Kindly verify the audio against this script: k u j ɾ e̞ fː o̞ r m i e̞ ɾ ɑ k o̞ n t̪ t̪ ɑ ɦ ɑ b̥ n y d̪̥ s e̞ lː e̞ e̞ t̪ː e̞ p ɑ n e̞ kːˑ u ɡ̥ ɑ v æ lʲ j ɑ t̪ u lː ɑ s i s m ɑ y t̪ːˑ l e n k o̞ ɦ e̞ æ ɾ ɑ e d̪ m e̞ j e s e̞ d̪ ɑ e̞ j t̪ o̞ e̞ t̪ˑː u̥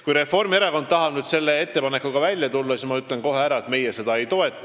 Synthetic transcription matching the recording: k u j ɾ e̞ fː o̞ r m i e̞ ɾ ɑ k o̞ n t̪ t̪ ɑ ɦ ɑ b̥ n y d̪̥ s e̞ lː e̞ e̞ t̪ː e̞ p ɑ n e̞ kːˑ u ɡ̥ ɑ v æ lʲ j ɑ t̪ u lː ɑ s i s m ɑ y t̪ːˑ l e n k o̞ ɦ e̞ æ ɾ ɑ e t̪ m e̞ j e s e̞ d̪ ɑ e̞ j t̪ o̞ e̞ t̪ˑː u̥